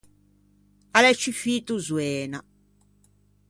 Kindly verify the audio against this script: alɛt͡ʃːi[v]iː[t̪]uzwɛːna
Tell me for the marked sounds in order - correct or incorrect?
incorrect, correct

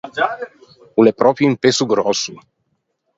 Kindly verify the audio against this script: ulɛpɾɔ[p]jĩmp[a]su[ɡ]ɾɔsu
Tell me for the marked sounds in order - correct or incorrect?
correct, incorrect, correct

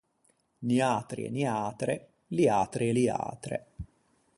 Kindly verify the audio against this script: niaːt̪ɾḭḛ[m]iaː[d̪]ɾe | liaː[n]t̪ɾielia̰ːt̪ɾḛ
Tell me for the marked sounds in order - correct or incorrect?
incorrect, incorrect, incorrect

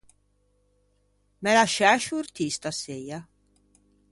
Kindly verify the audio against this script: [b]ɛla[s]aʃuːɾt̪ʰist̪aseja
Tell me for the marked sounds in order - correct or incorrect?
incorrect, incorrect

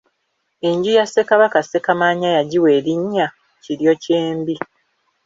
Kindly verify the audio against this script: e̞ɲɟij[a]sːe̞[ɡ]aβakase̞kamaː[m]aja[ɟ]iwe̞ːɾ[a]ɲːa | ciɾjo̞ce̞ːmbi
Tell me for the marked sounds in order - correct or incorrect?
correct, incorrect, incorrect, correct, incorrect

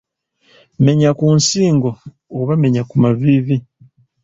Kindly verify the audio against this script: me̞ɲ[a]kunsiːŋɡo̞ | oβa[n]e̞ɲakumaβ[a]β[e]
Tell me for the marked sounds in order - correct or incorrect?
correct, incorrect, incorrect, incorrect

